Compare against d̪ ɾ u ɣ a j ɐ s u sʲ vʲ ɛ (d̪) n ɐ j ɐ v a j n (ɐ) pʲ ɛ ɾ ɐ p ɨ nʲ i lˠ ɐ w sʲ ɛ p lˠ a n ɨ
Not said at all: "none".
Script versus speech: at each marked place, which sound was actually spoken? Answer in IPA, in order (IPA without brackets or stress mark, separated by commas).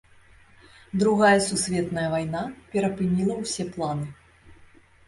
t̪, a